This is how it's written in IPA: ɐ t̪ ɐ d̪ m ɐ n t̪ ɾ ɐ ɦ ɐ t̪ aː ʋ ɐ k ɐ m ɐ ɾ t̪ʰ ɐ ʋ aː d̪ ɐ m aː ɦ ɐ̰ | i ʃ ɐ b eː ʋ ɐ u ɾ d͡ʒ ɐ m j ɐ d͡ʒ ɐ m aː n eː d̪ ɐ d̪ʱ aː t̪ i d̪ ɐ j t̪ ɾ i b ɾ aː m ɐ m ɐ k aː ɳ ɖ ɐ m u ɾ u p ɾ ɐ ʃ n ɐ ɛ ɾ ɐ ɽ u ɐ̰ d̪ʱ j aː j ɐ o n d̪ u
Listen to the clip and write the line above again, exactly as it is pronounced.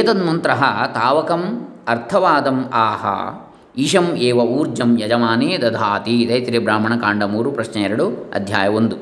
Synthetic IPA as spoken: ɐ t̪ ɐ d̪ m ɐ n t̪ ɾ ɐ ɦ ɐ t̪ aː ʋ ɐ k ɐ m ɐ ɾ t̪ʰ ɐ ʋ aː d̪ ɐ m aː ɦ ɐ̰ | i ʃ ɐ m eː ʋ ɐ uː ɾ d͡ʒ ɐ m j ɐ d͡ʒ ɐ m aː n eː d̪ ɐ d̪ʱ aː t̪ i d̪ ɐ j t̪ ɾ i b ɾ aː m ɐ ɳ ɐ k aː ɳ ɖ ɐ m uː ɾ u p ɾ ɐ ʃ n ɐ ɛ ɾ ɐ ɽ u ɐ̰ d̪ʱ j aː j ɐ o n d̪ u